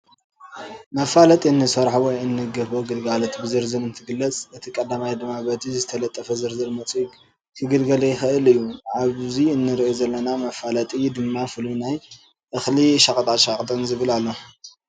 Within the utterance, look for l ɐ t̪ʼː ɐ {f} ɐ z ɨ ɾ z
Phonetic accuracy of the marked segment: correct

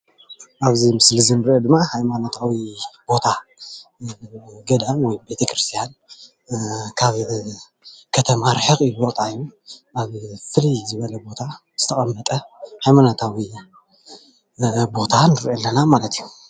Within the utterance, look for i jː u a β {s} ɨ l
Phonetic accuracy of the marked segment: incorrect: f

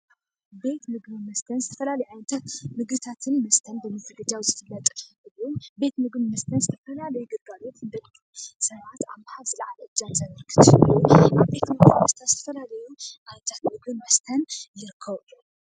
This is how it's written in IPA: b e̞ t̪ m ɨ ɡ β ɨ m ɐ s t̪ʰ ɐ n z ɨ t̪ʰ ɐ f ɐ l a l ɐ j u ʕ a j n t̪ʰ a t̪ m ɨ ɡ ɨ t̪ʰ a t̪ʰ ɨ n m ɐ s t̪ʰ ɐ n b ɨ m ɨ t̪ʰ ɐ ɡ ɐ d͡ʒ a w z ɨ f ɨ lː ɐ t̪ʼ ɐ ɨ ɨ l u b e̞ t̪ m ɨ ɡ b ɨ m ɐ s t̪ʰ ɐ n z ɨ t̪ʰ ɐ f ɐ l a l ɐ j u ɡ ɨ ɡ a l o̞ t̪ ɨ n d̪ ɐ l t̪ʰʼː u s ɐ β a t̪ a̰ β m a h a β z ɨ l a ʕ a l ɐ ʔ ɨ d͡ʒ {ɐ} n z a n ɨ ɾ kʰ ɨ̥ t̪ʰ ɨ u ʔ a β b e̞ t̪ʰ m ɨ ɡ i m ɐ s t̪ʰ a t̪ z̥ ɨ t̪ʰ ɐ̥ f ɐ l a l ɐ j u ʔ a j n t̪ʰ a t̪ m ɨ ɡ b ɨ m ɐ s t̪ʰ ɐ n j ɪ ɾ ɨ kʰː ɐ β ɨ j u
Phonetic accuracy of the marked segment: incorrect: a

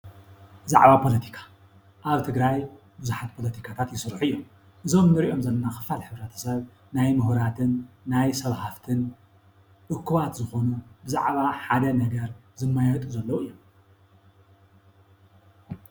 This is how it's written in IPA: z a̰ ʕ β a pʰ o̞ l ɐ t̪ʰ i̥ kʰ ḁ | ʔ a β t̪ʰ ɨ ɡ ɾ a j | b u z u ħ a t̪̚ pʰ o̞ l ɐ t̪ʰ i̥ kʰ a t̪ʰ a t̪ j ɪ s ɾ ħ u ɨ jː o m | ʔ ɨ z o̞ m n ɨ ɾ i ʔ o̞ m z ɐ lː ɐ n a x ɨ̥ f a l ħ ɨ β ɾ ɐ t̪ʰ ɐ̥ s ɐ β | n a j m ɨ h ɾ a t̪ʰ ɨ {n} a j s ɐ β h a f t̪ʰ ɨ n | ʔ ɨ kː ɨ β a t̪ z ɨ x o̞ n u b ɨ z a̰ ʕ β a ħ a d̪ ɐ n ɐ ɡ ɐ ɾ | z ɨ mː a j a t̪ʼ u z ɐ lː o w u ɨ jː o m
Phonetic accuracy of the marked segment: incorrect: nː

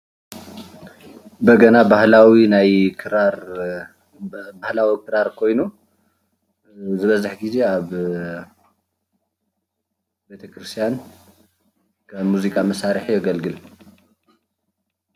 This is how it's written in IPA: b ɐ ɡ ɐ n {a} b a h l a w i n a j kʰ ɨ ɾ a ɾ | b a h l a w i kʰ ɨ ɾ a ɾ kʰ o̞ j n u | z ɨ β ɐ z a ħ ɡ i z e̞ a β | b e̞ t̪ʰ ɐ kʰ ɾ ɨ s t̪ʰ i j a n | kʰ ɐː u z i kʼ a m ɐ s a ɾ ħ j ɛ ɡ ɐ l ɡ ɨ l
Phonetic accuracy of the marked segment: correct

